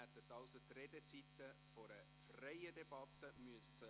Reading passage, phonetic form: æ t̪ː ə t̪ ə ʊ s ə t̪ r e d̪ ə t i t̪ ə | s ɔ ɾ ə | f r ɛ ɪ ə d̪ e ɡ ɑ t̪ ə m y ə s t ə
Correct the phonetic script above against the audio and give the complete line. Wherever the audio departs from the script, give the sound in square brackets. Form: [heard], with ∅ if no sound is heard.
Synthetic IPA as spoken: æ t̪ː ə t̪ [ɑ] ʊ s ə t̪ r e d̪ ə [t͡s] i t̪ ə | [f] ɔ ɾ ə | f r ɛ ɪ ə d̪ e [b] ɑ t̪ ə m y ə s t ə